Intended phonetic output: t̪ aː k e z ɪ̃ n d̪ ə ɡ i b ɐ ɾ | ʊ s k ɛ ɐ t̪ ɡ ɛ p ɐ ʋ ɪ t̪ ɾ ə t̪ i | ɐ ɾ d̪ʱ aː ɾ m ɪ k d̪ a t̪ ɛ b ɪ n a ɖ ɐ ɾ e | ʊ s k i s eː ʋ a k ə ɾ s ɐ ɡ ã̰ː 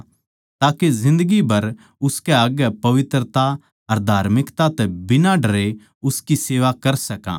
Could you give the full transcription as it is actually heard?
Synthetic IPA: t̪ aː k e z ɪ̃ n d̪ ə ɡ i b ɐ ɾ | ʊ s k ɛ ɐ ɡ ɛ p ɐ ʋ ɪ t̪ ɾ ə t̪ a | ɐ ɾ d̪ʱ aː ɾ m ɪ k t̪ a t̪ ɛ b ɪ n a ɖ ɐ ɾ e | ʊ s k i s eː ʋ a k ɐ ɾ s ɐ k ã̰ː